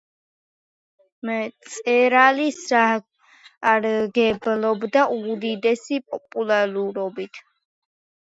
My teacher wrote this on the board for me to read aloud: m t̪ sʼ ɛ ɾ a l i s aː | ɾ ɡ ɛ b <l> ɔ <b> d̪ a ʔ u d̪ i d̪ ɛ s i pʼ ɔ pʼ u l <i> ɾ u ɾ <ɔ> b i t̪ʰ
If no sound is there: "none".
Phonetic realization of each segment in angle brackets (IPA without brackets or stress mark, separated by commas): l, b, a, ɔ